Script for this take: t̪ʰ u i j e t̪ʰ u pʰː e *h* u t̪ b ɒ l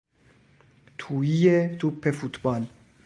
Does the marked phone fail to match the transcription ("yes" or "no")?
yes